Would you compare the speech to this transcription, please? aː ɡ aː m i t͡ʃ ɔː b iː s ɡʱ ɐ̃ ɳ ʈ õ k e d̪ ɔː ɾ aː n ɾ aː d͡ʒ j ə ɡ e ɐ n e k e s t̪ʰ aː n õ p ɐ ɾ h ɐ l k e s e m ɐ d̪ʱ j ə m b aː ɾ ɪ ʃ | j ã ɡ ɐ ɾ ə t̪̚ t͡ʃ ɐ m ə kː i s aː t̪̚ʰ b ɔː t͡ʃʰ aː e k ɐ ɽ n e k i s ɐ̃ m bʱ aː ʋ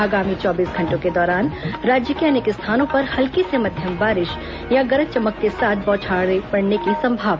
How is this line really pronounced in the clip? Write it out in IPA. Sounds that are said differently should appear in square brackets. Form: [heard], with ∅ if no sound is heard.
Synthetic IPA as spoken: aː ɡ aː m i t͡ʃ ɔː b iː s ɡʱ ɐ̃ ɳ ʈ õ k e d̪ ɔː ɾ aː n ɾ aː d͡ʒ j ə [k] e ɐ n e k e s t̪ʰ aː n õ p ɐ ɾ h ɐ l k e s e m ɐ d̪ʱ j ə m b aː ɾ ɪ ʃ | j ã ɡ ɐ ɾ ə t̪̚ t͡ʃ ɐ m ə kː [e] s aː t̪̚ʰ b ɔː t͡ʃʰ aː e [p] ɐ ɽ n e k i s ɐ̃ m bʱ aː ʋ